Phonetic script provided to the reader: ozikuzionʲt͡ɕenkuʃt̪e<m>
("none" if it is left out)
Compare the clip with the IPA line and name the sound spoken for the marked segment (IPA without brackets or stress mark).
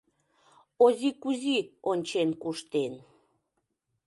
n